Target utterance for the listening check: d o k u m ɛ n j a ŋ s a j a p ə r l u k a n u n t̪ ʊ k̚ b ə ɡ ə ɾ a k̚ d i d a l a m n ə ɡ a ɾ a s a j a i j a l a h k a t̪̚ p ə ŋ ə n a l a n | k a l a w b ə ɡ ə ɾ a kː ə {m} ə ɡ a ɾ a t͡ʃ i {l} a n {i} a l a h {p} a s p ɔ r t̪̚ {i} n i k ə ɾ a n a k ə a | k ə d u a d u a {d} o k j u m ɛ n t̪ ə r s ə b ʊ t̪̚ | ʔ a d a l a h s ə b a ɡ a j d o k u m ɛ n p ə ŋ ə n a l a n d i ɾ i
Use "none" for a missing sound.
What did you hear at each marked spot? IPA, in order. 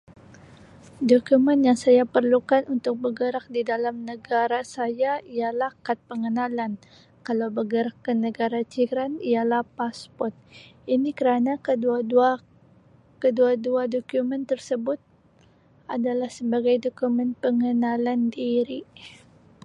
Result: n, ɾ, i, p, i, d

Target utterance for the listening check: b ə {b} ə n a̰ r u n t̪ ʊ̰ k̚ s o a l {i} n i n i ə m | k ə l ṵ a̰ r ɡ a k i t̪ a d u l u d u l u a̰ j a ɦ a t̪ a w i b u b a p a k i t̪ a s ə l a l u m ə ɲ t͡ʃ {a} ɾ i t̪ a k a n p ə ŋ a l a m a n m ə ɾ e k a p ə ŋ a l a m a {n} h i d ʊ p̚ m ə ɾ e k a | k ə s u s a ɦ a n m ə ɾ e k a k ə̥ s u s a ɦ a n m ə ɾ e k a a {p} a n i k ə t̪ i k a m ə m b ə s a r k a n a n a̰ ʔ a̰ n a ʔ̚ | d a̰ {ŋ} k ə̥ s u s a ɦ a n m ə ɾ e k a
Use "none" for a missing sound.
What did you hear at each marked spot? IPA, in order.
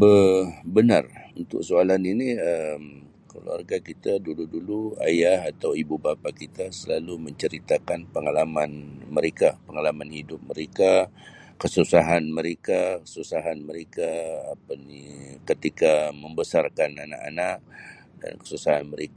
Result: b, a, ə, n, p, n

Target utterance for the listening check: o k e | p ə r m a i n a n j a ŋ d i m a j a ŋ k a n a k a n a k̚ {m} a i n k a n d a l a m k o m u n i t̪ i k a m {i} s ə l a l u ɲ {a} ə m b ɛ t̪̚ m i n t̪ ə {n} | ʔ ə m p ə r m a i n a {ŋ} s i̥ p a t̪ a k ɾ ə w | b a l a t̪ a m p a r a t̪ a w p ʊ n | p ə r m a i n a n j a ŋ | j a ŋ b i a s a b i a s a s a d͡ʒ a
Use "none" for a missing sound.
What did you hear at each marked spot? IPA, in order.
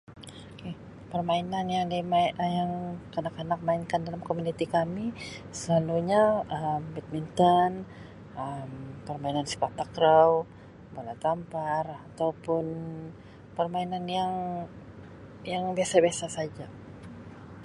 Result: m, i, a, n, n

